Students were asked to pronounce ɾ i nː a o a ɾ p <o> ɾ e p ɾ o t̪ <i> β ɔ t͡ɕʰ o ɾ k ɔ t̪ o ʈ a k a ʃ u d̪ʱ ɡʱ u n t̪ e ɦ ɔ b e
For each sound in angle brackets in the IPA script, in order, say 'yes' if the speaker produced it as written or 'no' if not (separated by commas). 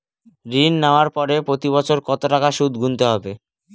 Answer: no, yes